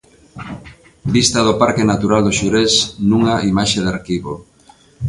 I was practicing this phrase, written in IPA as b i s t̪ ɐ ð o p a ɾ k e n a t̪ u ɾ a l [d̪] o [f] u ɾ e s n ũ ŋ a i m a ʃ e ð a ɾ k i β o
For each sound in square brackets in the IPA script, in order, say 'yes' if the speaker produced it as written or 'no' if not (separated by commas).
yes, no